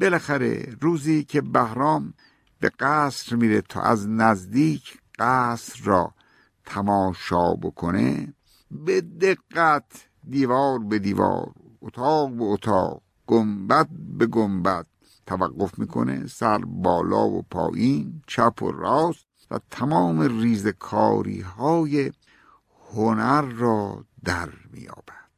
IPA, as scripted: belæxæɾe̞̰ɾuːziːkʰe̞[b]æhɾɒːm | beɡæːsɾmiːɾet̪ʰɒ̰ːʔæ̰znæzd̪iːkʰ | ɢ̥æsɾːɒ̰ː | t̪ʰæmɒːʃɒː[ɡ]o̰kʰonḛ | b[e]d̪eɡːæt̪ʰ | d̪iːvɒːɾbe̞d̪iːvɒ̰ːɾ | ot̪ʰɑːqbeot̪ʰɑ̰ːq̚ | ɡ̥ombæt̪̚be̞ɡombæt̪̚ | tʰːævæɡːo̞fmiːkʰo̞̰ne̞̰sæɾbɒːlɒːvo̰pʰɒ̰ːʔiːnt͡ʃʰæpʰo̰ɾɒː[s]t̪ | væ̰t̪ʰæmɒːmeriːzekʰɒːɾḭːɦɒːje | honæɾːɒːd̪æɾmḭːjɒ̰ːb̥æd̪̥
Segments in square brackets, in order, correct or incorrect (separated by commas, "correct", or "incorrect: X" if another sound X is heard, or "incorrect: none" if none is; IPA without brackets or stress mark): correct, incorrect: b, correct, correct